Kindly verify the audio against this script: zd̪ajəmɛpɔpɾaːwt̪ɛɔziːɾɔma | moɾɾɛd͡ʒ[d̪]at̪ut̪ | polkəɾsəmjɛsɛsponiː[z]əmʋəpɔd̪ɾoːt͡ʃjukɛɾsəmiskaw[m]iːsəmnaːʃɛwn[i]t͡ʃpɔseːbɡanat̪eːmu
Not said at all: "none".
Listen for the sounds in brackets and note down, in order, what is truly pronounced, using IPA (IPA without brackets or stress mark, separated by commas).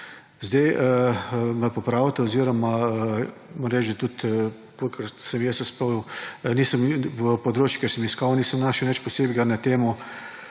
d̪, s, n, ɛ